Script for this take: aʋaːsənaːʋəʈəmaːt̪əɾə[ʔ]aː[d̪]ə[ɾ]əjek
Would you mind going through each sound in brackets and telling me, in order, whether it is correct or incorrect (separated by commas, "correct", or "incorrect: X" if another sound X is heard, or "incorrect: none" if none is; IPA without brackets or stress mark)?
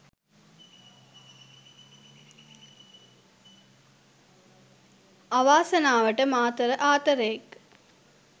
correct, incorrect: t̪, correct